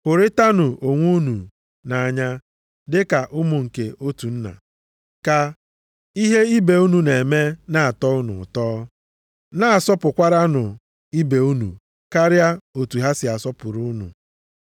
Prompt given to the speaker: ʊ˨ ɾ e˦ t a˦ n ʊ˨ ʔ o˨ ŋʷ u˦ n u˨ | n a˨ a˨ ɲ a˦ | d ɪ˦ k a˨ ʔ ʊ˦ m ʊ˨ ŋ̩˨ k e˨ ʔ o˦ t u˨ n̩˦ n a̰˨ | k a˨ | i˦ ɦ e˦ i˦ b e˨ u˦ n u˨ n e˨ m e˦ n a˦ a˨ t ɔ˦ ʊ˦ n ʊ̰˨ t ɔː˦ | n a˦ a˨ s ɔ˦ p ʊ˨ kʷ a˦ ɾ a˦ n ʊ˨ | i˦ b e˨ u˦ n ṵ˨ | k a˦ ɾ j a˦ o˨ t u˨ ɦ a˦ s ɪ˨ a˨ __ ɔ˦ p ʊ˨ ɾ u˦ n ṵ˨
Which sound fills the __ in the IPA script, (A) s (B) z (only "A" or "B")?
A